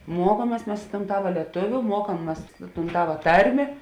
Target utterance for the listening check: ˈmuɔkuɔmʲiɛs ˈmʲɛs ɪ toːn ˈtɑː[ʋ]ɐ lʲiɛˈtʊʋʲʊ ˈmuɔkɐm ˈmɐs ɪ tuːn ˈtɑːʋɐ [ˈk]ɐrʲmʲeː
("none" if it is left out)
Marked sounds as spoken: ʋ, t

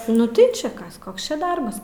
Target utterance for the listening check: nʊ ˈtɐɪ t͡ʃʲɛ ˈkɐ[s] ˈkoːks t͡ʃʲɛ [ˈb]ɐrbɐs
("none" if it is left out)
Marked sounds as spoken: s, d

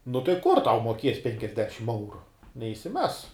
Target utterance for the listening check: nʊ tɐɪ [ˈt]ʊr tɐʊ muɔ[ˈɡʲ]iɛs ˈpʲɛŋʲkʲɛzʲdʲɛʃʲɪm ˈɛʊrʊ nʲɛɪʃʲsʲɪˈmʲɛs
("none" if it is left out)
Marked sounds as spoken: k, kʲ

